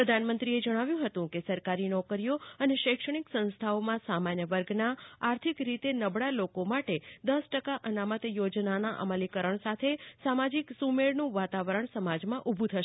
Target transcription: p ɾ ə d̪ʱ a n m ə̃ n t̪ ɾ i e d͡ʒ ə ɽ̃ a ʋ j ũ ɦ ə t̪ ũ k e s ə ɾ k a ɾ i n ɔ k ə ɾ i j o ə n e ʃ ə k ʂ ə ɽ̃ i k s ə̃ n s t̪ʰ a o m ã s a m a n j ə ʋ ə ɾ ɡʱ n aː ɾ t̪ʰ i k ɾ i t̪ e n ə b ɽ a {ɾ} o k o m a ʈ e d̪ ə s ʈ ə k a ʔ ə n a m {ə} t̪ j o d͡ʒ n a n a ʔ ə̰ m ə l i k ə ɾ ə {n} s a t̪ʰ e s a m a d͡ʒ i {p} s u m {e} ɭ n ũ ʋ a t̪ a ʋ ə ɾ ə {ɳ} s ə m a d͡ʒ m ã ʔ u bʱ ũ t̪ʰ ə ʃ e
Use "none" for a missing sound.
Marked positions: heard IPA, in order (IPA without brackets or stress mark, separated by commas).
l, ə, ɳ, k, e, ɳ